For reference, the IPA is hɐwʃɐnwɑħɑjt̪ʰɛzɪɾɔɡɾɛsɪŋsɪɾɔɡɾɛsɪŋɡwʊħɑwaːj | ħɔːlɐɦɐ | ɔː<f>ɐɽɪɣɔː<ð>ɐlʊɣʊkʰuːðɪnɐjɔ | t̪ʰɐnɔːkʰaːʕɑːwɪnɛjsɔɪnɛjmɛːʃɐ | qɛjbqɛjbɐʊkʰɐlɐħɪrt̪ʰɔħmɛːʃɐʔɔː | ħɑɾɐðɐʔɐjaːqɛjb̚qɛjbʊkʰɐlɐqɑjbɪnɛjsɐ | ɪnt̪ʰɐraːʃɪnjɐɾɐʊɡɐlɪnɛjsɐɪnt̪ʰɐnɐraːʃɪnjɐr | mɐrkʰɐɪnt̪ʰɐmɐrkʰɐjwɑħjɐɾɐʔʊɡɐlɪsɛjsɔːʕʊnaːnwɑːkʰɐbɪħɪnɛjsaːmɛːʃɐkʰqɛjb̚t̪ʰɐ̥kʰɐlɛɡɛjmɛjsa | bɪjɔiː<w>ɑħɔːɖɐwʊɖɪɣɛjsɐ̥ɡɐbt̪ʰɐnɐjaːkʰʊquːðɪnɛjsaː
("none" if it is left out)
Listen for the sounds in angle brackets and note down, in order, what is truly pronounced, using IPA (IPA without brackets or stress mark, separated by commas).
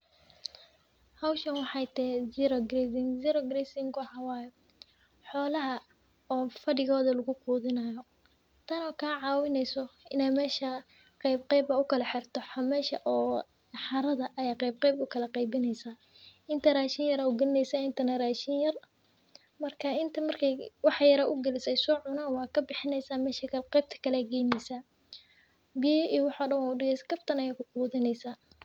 f, ð, w